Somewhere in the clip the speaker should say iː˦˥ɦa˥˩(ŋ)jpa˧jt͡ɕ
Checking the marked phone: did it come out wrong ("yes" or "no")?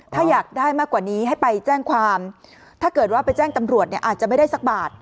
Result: yes